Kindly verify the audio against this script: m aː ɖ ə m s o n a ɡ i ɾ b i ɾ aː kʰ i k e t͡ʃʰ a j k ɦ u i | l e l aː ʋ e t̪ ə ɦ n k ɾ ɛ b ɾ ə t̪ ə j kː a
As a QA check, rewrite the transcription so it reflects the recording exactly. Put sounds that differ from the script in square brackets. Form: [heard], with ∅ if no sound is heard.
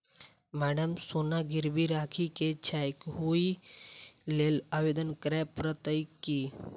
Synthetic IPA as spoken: m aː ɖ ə m s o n a ɡ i ɾ b i ɾ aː kʰ i k e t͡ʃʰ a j k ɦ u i | l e l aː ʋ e [d̪] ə [∅] n k ɾ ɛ [p] ɾ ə t̪ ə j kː [i]